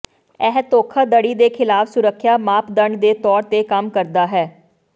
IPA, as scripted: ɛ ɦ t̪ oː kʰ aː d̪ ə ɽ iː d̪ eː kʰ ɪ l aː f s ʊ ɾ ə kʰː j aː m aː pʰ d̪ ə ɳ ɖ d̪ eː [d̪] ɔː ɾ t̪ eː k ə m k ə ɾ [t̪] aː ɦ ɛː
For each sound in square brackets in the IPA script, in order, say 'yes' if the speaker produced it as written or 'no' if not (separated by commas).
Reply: no, no